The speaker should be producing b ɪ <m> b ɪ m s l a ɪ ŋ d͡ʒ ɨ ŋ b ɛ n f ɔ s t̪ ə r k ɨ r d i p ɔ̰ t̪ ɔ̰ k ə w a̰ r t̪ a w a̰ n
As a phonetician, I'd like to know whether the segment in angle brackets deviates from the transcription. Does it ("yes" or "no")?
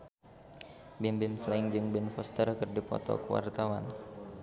no